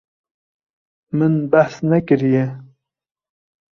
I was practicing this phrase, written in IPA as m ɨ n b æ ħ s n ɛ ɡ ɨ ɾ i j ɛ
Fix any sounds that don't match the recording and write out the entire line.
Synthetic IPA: m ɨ n b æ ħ s n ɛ k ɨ ɾ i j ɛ